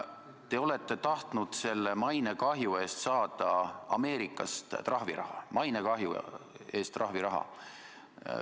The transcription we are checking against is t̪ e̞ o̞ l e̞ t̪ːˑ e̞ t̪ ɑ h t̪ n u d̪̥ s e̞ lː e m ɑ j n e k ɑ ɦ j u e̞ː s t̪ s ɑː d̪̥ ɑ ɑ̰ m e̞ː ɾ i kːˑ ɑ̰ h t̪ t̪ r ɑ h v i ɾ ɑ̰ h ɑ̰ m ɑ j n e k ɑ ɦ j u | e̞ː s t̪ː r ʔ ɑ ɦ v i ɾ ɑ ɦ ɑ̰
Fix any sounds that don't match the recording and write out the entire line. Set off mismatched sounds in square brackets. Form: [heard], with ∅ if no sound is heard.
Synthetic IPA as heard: t̪ e̞ o̞ l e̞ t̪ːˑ e̞ t̪ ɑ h t̪ n u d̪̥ s e̞ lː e m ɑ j n e k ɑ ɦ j u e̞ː s t̪ s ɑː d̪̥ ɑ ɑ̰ m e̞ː ɾ i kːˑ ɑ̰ [s] t̪ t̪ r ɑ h v i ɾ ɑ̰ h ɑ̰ m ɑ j n e k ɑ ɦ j u | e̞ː s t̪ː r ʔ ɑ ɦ v i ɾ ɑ ɦ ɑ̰